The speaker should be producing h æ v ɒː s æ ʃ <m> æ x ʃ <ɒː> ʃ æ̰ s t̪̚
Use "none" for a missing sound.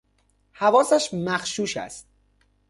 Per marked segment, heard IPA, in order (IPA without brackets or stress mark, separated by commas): m, uː